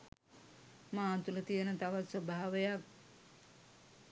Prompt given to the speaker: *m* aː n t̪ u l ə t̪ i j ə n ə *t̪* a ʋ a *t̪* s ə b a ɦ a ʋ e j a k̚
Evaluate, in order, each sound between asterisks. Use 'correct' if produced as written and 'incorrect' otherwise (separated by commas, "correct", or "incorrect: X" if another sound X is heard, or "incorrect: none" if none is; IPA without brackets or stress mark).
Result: correct, correct, correct